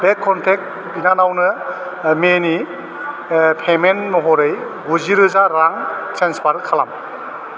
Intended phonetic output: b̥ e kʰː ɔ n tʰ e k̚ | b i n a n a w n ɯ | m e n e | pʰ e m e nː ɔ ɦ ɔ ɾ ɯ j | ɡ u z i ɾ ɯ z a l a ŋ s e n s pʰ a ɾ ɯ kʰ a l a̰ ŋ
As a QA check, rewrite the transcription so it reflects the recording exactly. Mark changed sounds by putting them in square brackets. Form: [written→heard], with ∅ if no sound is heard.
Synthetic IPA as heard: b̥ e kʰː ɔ n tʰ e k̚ | b i n a n a w n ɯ | m e n [e→i] | pʰ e m e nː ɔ ɦ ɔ ɾ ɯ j | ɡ u z i ɾ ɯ z a [l→ɾ] a ŋ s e n s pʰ a ɾ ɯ kʰ a l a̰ [ŋ→m]